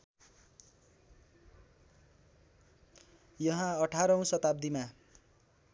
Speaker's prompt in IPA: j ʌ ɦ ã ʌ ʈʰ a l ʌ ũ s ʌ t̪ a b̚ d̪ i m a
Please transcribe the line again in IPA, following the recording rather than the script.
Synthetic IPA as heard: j ʌ ɦ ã ʌ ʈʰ a ɾ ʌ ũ s ʌ t̪ a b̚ d̪ i m a